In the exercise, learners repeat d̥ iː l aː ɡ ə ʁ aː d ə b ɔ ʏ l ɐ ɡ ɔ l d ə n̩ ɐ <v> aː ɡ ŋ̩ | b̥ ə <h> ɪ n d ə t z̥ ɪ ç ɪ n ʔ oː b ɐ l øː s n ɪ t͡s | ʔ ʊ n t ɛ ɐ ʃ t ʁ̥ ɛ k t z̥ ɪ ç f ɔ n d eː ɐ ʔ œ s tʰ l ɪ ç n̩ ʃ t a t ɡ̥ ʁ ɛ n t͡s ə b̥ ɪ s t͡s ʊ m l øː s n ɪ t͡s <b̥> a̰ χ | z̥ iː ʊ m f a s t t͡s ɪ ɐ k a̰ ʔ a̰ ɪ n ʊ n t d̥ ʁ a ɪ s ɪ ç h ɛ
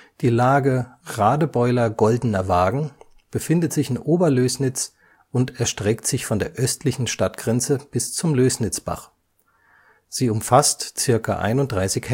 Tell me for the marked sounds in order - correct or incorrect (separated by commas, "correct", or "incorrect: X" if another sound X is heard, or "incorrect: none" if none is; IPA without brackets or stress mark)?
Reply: correct, incorrect: f, correct